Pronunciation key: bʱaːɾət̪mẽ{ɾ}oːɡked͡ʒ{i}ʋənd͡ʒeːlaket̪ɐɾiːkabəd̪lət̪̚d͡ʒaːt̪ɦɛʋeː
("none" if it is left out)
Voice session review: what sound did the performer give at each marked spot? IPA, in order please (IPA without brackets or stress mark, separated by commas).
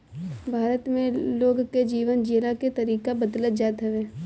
l, iː